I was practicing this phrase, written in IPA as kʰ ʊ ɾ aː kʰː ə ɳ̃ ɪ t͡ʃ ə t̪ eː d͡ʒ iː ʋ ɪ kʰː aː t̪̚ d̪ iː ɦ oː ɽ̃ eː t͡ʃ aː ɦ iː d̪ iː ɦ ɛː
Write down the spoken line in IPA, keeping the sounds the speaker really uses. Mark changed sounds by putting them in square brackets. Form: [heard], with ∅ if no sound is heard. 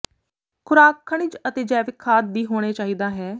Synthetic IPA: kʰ ʊ ɾ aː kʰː ə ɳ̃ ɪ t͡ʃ ə t̪ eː d͡ʒ [ɛː] ʋ ɪ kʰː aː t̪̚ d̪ iː ɦ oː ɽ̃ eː t͡ʃ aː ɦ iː d̪ [aː] ɦ ɛː